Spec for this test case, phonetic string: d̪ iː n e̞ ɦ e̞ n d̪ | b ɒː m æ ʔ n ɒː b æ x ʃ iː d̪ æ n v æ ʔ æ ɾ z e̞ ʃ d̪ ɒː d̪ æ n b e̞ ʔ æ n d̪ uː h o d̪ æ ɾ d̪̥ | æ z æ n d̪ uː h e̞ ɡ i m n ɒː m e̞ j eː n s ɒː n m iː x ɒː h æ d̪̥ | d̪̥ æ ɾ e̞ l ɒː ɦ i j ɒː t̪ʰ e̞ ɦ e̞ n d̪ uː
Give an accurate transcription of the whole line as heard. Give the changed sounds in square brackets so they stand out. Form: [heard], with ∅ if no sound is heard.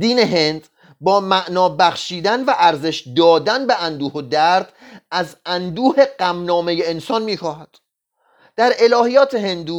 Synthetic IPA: d̪ iː n e̞ ɦ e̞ n d̪ | b ɒː m æ ʔ n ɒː b æ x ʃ iː d̪ æ n v æ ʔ æ ɾ z e̞ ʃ d̪ ɒː d̪ æ n b e̞ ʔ æ n d̪ uː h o d̪ æ ɾ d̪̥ | æ z æ n d̪ uː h e̞ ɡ [æ] m n ɒː m e̞ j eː n s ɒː n m iː x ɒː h æ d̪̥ | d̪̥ æ ɾ e̞ l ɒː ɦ i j ɒː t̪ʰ e̞ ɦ e̞ n d̪ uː